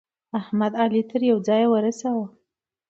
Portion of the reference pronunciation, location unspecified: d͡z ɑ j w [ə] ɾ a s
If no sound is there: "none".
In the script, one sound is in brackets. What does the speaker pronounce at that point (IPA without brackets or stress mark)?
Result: ə